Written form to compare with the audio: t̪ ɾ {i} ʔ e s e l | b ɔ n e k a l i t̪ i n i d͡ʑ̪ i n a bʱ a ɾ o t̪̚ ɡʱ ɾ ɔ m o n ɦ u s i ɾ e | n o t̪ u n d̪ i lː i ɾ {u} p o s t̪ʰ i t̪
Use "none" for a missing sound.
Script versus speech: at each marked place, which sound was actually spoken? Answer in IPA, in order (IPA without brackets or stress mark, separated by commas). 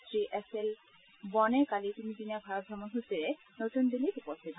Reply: i, u